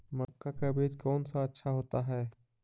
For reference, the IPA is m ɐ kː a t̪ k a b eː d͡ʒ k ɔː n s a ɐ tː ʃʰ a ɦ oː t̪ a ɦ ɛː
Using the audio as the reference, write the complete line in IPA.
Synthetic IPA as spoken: m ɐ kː a k a b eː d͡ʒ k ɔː n s a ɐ tː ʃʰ a ɦ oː t̪ a ɦ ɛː